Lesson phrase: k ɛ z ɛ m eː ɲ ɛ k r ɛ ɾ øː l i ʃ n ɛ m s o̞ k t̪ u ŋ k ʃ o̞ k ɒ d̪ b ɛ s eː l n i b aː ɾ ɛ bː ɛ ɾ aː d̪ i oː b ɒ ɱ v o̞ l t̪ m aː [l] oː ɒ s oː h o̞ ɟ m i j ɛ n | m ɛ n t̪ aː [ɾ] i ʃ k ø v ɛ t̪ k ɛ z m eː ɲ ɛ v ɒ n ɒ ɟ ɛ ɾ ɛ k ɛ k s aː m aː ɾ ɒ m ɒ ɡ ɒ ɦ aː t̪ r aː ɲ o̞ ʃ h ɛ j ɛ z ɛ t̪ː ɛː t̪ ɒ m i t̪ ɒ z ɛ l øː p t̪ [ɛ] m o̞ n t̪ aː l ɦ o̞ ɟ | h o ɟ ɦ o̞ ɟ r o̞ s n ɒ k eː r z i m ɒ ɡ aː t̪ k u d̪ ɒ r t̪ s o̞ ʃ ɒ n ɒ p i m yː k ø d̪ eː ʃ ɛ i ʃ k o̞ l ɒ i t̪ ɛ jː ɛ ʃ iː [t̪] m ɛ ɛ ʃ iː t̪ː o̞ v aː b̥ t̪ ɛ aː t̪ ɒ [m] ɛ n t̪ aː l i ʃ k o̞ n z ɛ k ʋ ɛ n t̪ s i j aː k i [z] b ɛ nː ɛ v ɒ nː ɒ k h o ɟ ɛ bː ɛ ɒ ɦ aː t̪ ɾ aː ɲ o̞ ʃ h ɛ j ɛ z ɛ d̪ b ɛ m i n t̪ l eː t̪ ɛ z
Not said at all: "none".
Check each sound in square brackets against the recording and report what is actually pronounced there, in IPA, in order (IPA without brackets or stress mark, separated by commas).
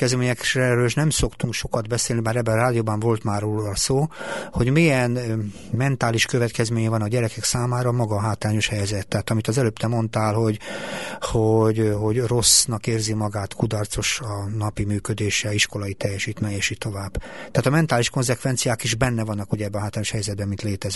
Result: r, l, ɛ, t̪, m, ʒ